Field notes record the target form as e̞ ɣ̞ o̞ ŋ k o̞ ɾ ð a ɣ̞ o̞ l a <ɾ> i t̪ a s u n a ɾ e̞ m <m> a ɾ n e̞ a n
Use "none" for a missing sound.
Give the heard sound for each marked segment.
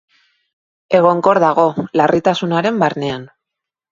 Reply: r, b

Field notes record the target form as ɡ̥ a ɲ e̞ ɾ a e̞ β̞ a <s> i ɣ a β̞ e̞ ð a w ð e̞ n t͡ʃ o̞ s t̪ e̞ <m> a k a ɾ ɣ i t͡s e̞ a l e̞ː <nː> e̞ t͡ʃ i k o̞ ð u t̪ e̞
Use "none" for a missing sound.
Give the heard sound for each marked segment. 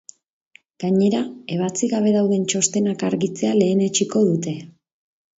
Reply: t͡s, n, n

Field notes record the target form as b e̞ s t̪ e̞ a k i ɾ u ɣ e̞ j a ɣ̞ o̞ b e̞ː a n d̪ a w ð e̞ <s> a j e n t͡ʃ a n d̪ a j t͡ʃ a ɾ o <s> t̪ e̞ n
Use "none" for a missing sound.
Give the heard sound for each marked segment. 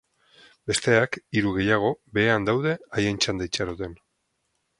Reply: none, none

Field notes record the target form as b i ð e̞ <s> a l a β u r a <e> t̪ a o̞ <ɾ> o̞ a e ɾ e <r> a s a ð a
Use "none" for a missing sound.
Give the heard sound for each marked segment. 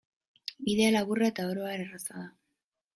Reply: none, e, ɾ, r

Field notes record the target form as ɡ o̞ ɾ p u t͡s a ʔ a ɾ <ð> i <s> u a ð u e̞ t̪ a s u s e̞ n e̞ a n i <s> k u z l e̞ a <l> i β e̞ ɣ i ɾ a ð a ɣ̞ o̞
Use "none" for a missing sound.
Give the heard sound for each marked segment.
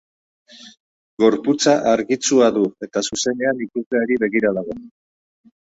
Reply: ɣ, t͡s, none, ɾ

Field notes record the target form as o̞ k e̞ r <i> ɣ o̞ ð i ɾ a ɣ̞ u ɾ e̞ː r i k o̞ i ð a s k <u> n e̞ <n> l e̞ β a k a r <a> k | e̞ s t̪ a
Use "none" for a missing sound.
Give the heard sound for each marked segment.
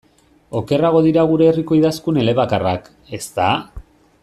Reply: a, u, none, a

